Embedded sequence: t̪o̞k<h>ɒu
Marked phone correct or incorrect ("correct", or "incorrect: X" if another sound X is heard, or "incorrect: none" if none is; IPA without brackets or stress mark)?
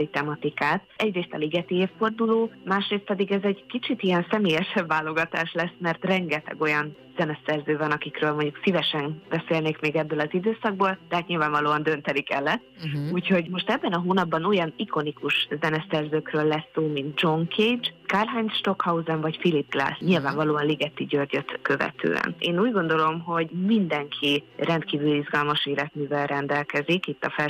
correct